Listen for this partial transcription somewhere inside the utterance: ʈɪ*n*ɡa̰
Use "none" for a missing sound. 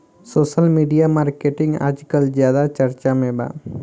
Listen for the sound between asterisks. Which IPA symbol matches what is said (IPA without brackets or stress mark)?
ŋ